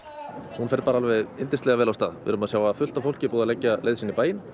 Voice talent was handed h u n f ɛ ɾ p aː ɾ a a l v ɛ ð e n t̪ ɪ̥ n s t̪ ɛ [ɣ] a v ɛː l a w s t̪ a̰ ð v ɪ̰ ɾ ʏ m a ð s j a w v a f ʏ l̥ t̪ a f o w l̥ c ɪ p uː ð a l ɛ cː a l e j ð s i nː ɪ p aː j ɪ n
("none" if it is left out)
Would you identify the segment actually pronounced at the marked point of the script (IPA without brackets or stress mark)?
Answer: ɣ